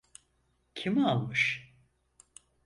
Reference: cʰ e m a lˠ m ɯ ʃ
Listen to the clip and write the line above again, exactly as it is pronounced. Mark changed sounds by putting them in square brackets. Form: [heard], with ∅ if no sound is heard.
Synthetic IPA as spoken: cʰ [i] m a lˠ m ɯ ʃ